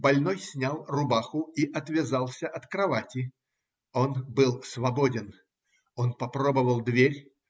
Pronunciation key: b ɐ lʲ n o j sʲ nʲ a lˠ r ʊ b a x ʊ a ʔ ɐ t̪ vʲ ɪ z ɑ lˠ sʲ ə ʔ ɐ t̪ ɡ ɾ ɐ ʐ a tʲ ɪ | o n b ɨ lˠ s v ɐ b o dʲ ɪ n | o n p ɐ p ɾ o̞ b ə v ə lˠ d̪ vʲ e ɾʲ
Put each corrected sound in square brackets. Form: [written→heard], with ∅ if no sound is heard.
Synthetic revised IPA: b ɐ lʲ n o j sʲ nʲ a lˠ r ʊ b a x ʊ [a→i] ʔ ɐ t̪ vʲ ɪ z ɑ lˠ sʲ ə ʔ ɐ t̪ [ɡ→k] ɾ ɐ [ʐ→v] a tʲ ɪ | o n b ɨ lˠ s v ɐ b o dʲ ɪ n | o n p ɐ p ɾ o̞ b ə v ə lˠ d̪ vʲ e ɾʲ